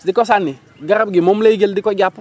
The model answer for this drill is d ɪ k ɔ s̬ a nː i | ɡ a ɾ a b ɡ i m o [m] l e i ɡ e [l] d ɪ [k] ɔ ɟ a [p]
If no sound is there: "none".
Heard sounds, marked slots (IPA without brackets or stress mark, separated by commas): m, l, k, p